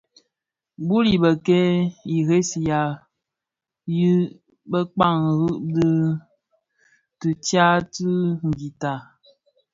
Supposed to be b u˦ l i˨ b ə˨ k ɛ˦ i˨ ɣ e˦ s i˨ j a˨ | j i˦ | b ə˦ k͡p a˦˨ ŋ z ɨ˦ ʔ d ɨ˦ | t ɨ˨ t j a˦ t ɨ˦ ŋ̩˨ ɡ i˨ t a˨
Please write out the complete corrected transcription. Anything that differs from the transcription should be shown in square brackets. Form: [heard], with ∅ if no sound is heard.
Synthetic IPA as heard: b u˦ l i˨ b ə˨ k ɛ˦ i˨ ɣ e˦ s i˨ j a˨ | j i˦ | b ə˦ k͡p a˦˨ ŋ [ɣ] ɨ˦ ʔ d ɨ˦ | t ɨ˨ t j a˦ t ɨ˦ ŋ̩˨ ɡ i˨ t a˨